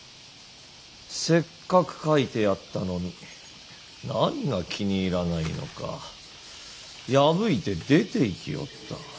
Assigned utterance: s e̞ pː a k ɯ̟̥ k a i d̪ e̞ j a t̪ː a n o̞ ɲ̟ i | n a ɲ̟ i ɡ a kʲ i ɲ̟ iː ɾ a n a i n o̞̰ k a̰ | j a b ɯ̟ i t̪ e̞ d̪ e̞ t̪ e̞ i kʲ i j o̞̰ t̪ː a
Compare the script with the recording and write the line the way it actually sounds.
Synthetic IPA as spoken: s e̞ kː a k ɯ̟̥ k a i t̪ e̞ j a t̪ː a n o̞ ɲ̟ i | n a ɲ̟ i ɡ a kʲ i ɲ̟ iː ɾ a n a i n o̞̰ k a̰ | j a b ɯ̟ i t̪ e̞ d̪ e̞ t̪ e̞ i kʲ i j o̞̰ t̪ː a